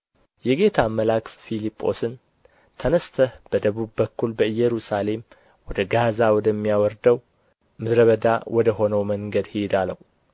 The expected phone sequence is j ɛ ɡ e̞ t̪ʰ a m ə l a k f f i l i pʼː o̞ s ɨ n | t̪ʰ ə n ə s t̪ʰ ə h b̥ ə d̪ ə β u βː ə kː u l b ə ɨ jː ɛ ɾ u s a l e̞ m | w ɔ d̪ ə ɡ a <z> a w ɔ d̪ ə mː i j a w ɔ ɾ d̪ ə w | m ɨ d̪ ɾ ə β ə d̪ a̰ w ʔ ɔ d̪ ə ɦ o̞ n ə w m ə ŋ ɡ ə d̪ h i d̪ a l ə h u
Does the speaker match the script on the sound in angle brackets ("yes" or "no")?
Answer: yes